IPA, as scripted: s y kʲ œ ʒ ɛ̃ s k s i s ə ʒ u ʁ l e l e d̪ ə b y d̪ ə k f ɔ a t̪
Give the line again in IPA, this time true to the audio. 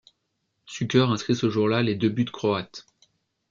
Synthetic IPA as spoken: s y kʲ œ ʁ ɛ̃ s k χ i s ə ʒ u ʁ l a l e d̪ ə b y d̪ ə k χ ɔ a t̪